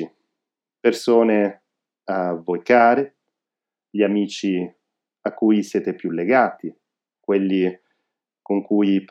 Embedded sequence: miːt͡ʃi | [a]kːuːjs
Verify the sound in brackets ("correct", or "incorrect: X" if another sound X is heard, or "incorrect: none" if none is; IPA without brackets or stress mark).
correct